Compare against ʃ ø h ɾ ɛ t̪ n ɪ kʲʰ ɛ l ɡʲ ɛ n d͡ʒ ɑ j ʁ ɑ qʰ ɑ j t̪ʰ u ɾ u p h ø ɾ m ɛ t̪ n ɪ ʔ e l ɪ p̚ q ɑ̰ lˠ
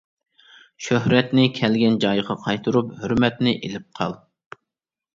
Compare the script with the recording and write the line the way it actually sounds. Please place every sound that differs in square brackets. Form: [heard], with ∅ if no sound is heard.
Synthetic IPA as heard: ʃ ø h ɾ ɛ t̪ n ɪ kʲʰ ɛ l ɡʲ ɛ n d͡ʒ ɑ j ʁ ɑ qʰ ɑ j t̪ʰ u ɾ u p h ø ɾ m ɛ t̪ n ɪ ʔ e l ɪ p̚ [qʰ] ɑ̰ lˠ